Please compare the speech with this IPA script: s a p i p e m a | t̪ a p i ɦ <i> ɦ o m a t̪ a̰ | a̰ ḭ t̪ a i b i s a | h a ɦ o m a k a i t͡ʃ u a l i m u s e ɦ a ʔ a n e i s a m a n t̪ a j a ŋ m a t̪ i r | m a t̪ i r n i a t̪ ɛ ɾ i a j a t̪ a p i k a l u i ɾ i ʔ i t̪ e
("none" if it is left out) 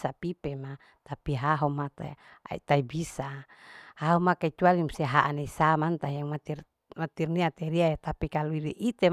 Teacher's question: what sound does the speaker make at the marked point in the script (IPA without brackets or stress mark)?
a